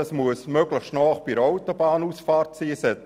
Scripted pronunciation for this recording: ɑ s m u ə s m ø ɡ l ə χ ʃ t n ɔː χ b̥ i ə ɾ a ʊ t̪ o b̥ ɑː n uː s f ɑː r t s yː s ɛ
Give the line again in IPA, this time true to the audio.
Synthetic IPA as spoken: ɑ s m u ə s m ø ɡ l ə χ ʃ t n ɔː χ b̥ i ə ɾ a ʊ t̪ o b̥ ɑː n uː s f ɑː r t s iː s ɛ